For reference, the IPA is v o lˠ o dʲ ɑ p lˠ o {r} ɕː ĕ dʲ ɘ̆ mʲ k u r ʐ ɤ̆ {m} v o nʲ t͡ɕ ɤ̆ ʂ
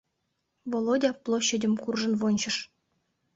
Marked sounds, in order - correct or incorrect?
incorrect, incorrect

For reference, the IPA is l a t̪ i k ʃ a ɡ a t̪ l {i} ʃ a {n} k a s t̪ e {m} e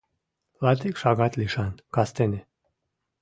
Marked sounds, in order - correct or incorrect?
correct, correct, incorrect

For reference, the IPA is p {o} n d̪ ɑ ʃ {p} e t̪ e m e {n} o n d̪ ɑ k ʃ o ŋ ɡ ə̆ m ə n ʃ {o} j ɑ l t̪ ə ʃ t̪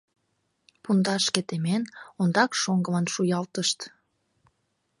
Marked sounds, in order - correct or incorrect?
incorrect, incorrect, correct, incorrect

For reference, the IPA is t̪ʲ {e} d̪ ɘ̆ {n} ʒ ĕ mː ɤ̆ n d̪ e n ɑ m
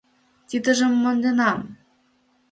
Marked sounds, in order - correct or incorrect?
incorrect, incorrect

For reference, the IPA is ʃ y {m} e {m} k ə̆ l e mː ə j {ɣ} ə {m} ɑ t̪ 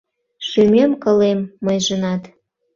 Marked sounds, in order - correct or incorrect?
correct, correct, incorrect, incorrect

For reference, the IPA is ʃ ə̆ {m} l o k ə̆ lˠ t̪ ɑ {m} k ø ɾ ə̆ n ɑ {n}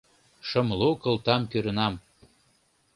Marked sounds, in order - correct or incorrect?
correct, correct, incorrect

